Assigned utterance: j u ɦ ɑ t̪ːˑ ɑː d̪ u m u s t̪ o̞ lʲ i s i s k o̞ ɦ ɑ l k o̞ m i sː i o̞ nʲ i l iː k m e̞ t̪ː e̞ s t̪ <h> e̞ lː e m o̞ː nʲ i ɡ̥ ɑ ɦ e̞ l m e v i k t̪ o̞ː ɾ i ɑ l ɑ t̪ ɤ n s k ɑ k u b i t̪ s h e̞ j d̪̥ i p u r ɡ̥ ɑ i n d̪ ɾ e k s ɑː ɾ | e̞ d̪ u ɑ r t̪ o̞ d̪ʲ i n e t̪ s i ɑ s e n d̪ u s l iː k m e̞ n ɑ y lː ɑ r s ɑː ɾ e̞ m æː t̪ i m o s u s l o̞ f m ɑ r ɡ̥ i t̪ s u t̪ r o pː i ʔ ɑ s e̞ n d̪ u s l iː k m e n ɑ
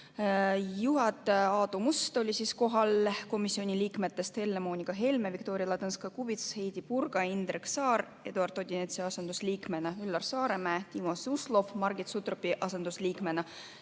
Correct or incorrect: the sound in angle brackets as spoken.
correct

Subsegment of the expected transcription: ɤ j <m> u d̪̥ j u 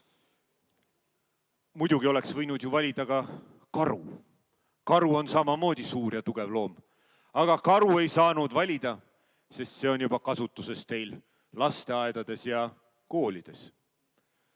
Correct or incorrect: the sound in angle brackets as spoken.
incorrect: n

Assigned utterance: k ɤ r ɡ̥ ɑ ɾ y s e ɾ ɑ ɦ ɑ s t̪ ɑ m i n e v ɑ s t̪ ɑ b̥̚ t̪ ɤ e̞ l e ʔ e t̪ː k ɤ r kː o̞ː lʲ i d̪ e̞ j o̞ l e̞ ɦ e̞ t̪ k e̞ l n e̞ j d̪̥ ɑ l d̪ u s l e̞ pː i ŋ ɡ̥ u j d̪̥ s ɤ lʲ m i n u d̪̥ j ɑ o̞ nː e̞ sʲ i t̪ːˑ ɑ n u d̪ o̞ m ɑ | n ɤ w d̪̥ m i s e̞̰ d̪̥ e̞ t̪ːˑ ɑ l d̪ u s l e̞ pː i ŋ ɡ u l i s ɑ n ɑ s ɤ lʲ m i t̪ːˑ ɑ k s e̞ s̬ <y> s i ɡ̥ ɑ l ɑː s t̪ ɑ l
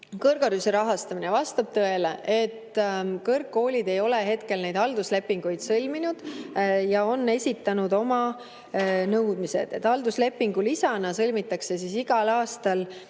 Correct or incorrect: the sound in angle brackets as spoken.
incorrect: i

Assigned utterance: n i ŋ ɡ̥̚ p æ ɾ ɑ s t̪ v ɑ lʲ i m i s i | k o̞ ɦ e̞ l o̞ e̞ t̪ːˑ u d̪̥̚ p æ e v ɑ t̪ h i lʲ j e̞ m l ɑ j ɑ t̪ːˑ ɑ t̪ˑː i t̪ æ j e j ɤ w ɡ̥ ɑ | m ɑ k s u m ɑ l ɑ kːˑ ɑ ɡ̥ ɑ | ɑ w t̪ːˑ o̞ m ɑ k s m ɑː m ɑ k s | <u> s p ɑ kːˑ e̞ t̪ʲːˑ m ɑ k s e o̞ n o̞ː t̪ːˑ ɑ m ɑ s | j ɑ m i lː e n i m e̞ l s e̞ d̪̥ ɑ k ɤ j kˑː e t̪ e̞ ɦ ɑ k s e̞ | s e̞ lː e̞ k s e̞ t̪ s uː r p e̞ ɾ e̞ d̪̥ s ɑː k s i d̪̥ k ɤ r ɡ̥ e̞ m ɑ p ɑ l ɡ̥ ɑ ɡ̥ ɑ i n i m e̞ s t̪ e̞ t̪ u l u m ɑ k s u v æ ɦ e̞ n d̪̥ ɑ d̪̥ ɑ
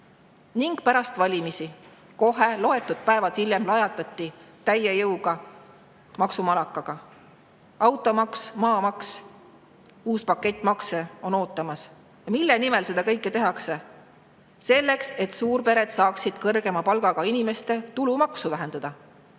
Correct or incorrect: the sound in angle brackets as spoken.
incorrect: uː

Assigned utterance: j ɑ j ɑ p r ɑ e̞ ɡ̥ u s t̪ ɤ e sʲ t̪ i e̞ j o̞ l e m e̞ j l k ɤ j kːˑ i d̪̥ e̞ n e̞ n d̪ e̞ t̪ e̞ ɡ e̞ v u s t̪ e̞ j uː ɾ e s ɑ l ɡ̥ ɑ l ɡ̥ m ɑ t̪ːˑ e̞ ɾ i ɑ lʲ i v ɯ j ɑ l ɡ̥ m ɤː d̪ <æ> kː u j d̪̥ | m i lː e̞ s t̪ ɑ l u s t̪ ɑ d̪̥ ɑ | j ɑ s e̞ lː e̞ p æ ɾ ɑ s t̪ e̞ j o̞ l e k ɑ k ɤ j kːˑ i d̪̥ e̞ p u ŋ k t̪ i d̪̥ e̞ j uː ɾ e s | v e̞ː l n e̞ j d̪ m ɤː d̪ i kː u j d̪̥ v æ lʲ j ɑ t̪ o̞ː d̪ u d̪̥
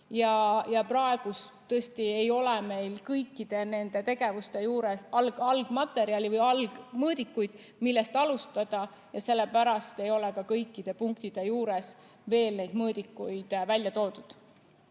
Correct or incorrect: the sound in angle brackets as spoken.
incorrect: i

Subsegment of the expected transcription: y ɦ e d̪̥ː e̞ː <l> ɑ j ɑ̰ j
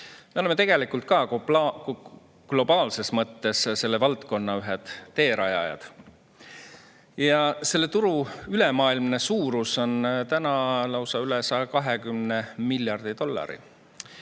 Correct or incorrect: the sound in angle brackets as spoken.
incorrect: ɾ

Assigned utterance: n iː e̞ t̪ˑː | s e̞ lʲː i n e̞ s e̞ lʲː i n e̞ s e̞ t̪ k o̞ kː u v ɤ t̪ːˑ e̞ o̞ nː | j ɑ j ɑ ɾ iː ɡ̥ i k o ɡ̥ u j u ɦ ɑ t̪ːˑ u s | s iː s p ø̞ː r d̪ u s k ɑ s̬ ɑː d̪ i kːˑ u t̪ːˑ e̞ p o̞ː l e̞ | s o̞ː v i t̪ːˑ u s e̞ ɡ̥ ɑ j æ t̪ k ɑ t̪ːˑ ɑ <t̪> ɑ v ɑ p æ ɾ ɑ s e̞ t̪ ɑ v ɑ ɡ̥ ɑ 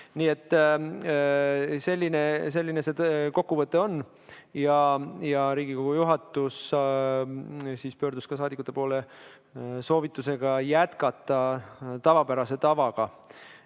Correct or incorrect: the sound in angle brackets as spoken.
correct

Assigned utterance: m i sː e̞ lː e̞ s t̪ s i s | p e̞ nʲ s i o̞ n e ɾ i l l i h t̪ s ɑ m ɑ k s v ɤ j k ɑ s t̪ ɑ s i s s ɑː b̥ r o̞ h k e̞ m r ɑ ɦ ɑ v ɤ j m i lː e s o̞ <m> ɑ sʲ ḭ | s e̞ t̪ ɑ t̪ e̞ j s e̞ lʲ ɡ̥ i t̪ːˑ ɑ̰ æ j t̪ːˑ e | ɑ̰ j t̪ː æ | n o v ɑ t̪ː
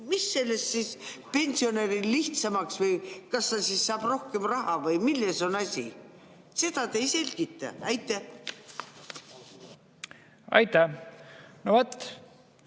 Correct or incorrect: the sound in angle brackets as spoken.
incorrect: n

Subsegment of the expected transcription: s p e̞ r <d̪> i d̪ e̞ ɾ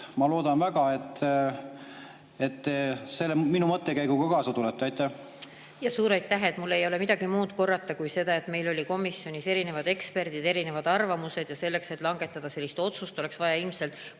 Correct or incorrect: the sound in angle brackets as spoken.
correct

